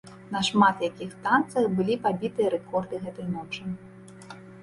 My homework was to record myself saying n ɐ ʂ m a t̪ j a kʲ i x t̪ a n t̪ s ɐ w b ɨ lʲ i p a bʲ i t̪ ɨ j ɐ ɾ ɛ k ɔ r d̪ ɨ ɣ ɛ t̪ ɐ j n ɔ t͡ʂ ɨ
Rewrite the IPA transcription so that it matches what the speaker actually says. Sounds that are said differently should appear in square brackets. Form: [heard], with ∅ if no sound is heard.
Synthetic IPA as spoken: n ɐ ʂ m a t̪ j a kʲ i x t̪ a n t̪ s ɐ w b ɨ lʲ i p a bʲ i t̪ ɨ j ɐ ɾ ɛ k ɔ r d̪ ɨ ɣ ɛ t̪ ɐ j n ɔ t͡ʂ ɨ